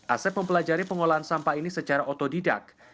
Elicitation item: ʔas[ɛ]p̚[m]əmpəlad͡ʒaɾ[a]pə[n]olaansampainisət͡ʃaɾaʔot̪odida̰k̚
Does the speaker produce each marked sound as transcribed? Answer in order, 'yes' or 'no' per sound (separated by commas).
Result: yes, yes, no, no